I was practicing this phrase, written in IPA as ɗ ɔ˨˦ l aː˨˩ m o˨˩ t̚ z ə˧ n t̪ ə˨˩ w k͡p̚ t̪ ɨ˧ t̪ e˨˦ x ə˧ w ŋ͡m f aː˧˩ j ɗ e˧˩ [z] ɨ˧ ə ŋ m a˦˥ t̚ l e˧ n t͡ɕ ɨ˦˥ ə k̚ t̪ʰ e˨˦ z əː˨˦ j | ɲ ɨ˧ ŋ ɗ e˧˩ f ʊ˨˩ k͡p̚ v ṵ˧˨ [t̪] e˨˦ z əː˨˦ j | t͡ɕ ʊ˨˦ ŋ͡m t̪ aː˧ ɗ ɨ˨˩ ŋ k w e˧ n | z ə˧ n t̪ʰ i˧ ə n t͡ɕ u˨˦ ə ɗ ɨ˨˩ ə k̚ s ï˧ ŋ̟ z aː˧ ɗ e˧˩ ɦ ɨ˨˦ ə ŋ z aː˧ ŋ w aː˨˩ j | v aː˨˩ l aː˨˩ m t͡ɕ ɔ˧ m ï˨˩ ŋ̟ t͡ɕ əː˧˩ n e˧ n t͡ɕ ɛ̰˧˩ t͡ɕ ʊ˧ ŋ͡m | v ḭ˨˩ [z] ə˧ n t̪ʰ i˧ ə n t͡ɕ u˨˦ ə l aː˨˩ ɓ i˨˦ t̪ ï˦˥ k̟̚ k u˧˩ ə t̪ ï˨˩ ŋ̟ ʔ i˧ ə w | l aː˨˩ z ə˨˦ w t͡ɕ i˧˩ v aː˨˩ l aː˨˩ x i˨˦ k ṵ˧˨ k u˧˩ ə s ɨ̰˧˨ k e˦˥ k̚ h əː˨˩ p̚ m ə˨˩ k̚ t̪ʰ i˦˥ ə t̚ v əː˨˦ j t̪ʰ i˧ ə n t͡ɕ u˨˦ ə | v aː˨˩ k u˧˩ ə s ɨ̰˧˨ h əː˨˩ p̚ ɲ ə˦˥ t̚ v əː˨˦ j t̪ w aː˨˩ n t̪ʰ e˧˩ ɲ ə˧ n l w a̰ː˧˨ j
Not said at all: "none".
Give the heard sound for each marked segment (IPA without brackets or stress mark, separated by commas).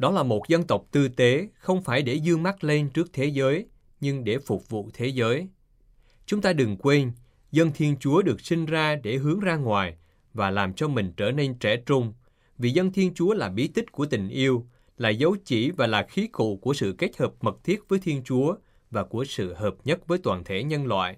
z, t̪ʰ, z